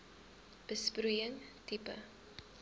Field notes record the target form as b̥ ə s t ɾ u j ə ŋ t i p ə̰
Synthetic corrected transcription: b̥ ə s p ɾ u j ə ŋ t i p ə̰